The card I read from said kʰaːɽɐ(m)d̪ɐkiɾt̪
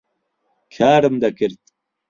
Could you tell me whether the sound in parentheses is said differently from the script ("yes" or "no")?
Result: no